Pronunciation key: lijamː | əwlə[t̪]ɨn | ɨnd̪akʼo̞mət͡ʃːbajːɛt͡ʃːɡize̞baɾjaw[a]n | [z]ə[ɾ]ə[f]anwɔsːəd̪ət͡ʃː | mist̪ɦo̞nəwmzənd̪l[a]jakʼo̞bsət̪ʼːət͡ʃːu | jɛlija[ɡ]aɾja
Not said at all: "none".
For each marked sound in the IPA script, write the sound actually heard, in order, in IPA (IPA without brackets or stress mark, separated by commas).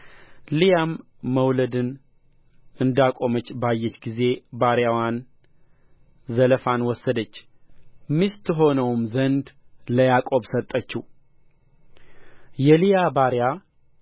d̪, a, z, l, f, ə, b